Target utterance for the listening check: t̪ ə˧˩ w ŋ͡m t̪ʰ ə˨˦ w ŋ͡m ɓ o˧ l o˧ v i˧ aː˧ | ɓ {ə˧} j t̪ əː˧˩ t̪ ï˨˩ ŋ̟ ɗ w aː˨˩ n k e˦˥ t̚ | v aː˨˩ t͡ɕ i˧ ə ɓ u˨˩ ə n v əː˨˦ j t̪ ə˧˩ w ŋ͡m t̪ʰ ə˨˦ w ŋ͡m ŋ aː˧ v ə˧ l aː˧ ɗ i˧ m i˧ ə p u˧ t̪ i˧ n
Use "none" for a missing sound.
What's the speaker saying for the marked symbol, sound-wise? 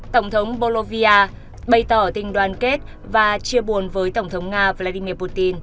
ə˧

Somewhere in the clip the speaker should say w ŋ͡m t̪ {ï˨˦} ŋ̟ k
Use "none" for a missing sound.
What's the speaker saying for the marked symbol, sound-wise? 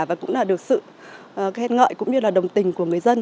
ï˨˩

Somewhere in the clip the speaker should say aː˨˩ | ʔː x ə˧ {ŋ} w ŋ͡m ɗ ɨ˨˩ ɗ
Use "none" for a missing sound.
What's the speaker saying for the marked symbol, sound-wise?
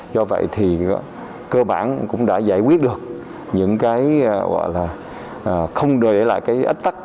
none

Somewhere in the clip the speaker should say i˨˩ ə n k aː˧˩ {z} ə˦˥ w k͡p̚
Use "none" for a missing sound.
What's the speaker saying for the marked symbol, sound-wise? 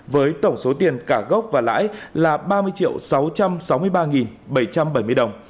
ɣ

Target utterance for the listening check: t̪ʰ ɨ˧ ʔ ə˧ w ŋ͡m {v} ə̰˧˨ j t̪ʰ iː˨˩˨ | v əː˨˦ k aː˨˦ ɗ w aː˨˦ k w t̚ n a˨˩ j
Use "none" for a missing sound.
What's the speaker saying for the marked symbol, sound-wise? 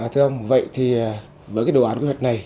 v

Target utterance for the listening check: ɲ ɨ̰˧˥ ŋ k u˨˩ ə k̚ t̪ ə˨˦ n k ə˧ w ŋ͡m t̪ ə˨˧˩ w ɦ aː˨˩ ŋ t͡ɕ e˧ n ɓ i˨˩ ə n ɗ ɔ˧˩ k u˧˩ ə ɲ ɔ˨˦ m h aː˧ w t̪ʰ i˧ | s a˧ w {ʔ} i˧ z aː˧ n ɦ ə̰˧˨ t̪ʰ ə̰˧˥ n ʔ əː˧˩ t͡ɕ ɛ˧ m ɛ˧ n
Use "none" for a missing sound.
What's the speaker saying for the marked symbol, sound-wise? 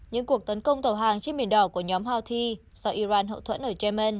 ʔ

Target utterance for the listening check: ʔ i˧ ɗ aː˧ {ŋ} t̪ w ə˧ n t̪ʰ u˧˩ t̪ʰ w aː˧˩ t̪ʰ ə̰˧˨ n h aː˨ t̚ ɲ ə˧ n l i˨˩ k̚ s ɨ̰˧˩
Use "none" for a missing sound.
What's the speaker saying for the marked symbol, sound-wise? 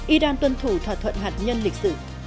n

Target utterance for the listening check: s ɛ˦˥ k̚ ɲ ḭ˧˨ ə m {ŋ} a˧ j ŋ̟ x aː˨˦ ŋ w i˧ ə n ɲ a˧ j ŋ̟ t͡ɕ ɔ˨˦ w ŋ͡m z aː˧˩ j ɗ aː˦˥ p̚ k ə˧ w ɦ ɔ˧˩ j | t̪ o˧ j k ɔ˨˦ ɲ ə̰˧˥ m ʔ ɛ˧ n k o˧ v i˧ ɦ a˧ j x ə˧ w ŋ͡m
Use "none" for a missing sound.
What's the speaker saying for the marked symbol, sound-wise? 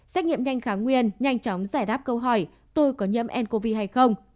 ɲ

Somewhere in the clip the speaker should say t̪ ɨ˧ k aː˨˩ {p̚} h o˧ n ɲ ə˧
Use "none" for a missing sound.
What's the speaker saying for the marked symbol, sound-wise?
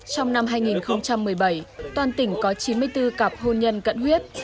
p̚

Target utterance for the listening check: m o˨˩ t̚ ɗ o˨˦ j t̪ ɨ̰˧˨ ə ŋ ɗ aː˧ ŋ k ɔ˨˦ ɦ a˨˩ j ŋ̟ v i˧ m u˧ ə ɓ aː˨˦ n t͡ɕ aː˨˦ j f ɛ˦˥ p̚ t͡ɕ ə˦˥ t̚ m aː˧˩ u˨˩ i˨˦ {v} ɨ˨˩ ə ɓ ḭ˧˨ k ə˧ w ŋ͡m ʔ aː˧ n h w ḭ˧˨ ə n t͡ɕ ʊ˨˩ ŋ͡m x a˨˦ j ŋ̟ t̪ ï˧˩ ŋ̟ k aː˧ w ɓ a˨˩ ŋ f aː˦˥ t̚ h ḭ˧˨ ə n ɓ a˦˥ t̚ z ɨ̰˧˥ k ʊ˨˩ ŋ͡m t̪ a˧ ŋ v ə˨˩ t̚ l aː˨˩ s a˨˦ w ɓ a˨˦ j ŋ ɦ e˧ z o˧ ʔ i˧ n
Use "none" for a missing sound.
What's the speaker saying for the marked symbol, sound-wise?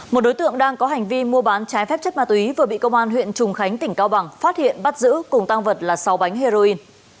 v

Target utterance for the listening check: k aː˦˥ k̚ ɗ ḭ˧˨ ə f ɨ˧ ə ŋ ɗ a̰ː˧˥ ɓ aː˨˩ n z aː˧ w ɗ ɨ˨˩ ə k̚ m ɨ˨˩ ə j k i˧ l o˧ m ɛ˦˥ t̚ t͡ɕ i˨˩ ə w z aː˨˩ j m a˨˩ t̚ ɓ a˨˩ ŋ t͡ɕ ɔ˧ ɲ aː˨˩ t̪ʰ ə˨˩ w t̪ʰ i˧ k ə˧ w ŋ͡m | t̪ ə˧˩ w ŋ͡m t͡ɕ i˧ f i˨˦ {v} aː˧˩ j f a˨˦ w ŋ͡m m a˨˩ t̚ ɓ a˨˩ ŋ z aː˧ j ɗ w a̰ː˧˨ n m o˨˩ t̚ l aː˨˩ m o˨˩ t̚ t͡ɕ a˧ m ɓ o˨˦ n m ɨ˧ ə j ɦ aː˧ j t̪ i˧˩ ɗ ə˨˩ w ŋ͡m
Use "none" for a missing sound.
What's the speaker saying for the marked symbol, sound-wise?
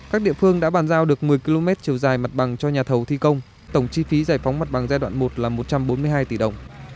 z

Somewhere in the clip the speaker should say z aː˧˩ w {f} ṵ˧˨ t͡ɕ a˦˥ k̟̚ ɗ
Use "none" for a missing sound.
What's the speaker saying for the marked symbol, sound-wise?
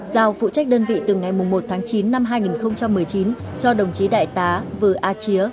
f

